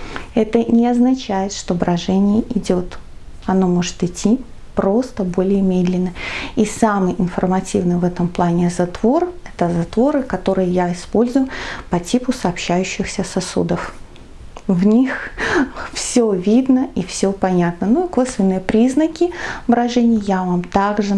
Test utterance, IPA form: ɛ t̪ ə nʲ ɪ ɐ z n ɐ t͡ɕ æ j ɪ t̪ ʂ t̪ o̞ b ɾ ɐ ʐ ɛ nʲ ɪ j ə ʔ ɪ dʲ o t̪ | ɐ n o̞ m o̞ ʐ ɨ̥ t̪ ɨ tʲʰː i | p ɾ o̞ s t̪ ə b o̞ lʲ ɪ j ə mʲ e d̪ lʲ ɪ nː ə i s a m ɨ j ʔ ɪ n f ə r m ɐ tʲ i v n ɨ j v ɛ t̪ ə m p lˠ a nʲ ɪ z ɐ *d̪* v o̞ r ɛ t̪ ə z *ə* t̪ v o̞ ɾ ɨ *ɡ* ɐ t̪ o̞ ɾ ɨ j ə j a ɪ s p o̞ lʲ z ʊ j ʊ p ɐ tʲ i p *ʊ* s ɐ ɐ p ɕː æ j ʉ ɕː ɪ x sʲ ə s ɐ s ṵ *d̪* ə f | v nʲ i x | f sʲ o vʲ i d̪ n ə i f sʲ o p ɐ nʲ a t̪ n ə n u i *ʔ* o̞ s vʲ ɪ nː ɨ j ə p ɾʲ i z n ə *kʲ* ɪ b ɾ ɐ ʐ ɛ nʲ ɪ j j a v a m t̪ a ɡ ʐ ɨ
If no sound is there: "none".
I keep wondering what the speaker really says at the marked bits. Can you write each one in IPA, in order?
t̪, ɐ, k, ʊ, d̪, k, kʲ

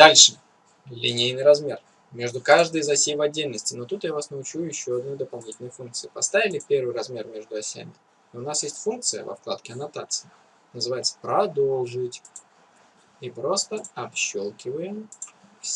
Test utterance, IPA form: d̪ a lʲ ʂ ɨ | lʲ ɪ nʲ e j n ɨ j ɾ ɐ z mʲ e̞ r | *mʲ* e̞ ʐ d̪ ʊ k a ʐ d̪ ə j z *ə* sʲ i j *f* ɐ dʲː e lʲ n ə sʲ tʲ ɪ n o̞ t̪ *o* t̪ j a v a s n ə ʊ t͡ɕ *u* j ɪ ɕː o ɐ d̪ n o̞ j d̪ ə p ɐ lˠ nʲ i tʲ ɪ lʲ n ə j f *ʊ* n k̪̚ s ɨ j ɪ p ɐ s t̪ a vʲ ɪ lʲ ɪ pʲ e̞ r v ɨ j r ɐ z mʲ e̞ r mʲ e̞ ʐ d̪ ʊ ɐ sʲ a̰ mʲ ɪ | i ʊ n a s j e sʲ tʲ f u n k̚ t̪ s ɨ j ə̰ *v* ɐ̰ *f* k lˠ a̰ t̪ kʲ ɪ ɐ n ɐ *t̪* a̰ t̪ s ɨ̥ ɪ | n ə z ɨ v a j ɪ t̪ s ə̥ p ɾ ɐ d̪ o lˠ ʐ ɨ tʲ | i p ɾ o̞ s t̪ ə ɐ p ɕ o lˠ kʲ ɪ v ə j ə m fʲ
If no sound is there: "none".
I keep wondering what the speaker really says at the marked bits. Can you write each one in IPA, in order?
mʲ, ɐ, v, u, u, u, v, f, t̪

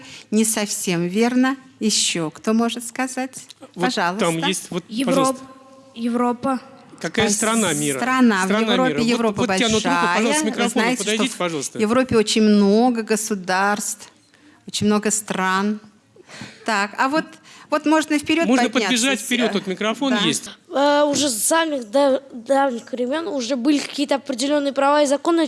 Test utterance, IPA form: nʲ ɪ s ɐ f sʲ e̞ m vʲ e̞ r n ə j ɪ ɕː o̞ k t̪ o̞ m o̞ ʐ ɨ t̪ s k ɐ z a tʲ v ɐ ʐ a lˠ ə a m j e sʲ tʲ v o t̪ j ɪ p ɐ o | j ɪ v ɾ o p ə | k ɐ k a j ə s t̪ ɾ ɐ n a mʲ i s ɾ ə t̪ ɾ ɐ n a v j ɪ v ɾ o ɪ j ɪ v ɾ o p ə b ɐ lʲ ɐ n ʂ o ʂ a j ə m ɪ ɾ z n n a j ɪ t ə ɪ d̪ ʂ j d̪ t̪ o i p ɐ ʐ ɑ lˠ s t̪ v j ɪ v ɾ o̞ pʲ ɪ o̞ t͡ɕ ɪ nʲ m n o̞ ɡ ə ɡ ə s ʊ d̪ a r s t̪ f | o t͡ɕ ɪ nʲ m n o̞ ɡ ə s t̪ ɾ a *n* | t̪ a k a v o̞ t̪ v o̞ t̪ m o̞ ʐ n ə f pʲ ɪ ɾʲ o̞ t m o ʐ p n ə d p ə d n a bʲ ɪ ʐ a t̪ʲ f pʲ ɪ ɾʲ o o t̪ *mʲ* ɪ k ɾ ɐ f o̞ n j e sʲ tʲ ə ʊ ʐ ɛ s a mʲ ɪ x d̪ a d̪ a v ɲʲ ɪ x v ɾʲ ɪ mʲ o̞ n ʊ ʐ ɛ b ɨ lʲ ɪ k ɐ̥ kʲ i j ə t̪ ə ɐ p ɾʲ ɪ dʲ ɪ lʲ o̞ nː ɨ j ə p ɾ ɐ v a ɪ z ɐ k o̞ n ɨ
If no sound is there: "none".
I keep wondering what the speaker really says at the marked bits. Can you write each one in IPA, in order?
n, mʲ

